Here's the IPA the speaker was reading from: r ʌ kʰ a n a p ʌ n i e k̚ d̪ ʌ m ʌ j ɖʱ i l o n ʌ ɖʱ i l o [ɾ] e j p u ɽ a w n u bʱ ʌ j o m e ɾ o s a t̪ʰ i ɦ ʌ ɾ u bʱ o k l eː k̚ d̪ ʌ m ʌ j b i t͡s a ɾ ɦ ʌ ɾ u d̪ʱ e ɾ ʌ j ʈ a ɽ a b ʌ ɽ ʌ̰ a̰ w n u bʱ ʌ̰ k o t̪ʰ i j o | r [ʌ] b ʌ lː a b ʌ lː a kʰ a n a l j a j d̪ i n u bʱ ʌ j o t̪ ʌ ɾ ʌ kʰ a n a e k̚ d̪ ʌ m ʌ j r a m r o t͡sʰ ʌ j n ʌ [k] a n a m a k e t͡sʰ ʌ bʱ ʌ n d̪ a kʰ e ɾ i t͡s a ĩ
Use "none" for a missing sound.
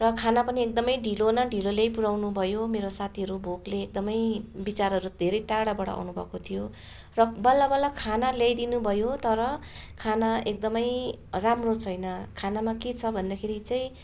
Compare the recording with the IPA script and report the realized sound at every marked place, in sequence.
l, ʌ, kʰ

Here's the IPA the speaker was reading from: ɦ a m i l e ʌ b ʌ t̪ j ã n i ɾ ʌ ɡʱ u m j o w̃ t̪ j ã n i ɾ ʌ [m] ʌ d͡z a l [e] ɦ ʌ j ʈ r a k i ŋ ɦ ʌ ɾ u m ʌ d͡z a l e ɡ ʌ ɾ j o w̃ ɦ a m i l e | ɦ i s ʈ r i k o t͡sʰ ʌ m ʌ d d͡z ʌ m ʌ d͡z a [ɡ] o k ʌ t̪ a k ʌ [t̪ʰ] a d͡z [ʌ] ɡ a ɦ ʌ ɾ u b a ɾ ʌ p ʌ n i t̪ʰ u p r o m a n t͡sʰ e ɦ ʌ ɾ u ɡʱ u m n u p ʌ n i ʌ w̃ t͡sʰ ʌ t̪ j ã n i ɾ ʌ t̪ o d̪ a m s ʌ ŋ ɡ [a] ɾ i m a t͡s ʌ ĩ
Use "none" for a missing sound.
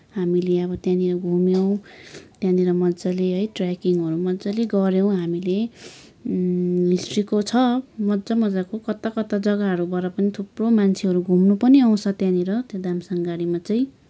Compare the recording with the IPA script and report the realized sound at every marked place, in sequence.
m, e, k, t̪, ʌ, a

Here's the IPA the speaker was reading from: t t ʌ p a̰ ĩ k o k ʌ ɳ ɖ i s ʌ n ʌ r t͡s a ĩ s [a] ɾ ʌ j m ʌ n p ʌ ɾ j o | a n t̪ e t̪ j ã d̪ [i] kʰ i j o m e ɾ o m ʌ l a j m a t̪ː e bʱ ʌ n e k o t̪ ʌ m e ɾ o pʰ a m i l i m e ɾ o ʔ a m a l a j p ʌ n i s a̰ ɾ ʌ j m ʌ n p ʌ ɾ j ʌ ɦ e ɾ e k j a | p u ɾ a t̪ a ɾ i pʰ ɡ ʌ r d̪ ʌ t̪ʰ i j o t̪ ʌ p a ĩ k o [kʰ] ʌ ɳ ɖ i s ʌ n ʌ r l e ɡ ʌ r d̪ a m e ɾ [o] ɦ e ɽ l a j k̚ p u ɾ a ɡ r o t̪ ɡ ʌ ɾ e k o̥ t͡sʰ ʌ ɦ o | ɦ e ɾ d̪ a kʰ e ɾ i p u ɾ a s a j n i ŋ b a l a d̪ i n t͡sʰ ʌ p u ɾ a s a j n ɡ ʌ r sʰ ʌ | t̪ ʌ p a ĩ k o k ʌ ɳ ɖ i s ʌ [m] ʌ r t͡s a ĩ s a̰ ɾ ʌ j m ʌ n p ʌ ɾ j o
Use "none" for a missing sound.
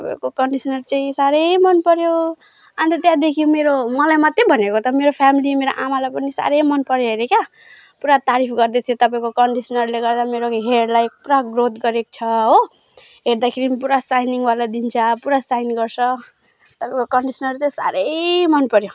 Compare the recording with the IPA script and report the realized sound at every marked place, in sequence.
a, e, k, o, n

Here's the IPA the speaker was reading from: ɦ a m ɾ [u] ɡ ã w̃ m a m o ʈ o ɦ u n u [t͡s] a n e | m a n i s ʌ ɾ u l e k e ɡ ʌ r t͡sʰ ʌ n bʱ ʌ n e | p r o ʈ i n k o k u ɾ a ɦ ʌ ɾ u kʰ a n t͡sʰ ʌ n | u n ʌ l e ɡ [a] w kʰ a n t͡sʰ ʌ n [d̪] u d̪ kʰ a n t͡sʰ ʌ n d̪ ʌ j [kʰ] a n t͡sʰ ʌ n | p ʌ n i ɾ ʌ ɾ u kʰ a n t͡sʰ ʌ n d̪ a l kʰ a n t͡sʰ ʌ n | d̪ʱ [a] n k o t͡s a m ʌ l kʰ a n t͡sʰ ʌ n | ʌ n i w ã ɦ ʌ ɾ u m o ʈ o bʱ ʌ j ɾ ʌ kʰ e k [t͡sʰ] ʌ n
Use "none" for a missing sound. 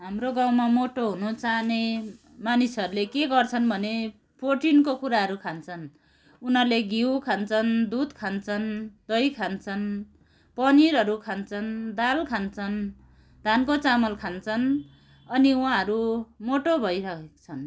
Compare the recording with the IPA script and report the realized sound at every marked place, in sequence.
o, t͡s, i, d̪, kʰ, a, t͡sʰ

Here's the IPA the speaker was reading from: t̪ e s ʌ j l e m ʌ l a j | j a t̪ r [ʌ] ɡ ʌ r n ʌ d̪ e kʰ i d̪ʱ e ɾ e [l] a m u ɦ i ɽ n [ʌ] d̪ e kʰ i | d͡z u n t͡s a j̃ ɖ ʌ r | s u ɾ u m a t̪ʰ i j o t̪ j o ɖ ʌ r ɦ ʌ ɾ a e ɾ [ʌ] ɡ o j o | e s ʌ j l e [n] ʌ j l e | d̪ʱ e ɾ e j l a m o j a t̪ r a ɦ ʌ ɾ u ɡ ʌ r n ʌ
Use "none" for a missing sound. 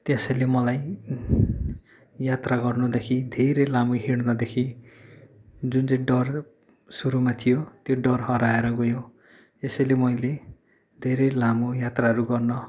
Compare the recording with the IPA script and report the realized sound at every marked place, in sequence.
a, l, ʌ, ʌ, m

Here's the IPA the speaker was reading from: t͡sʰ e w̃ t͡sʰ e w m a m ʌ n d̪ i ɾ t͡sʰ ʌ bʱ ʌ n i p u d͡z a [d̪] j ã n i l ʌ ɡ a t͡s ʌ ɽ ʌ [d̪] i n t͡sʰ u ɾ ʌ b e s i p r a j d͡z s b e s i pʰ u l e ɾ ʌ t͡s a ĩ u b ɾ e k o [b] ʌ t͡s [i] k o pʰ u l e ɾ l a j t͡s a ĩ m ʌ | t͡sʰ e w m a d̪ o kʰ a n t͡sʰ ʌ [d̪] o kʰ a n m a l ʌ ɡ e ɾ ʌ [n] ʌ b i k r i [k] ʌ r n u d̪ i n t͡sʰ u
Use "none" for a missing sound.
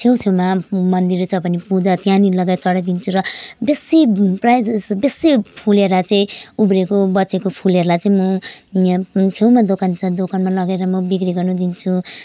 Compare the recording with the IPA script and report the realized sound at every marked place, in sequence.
t̪, d̪, b, e, d̪, m, ɡ

